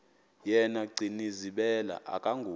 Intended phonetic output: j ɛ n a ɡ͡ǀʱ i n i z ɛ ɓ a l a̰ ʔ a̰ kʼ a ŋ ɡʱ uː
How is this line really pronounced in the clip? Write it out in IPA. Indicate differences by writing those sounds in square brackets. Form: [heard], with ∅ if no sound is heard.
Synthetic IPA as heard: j ɛ n a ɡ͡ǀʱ i n i z [i] ɓ [ɛ] l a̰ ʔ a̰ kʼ a ŋ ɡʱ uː